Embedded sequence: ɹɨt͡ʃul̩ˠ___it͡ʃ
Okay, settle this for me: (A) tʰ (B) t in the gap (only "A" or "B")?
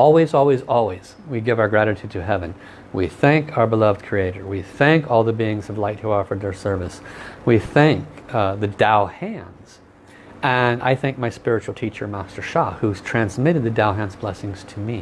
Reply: A